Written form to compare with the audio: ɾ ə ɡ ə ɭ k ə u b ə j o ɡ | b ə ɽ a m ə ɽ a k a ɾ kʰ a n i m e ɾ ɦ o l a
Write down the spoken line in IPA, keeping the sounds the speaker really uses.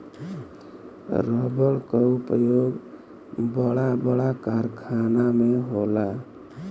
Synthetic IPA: ɾ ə b ə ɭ k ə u p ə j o ɡ | b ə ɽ a b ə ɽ a k a ɾ kʰ a n a m e ɦ o l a